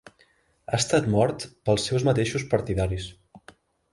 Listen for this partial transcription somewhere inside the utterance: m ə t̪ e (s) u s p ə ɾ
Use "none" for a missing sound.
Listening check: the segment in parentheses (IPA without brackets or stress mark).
ʃ